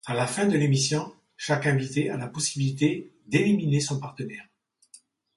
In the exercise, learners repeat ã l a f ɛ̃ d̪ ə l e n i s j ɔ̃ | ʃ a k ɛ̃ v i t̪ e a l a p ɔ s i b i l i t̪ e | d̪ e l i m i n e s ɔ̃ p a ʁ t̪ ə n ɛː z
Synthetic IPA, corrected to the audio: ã l a f ɛ̃ d̪ ə l e m i s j ɔ̃ | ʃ a k ɛ̃ v i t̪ e a l a p ɔ s i b i l i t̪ e | d̪ e l i m i n e s ɔ̃ p a ʁ t̪ ə n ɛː ʁ